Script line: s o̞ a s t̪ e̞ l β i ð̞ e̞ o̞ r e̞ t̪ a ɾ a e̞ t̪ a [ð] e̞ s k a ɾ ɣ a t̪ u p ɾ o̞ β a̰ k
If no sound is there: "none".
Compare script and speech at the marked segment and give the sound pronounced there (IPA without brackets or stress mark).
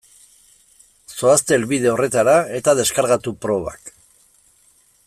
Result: ð